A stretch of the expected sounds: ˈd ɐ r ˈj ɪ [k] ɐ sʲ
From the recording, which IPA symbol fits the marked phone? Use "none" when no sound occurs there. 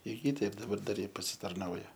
p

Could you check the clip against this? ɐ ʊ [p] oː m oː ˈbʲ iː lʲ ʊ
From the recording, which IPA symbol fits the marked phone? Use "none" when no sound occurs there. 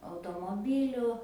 t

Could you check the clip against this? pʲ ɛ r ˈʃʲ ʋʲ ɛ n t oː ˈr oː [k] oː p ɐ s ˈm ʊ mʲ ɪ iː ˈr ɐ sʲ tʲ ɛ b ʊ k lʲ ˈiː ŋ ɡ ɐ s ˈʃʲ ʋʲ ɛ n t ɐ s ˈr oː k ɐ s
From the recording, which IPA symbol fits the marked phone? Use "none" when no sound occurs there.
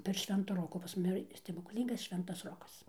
k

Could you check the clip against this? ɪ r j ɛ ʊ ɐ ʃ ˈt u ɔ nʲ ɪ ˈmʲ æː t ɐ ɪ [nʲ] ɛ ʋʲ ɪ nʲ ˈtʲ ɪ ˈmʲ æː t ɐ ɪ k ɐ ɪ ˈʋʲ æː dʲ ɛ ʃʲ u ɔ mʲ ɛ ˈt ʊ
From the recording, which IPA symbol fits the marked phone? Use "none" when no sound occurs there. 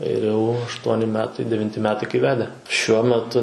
dʲ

